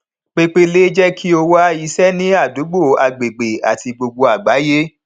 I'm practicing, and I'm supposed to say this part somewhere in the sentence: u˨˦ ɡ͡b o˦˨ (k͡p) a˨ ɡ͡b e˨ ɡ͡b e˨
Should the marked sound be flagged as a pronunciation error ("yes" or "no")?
yes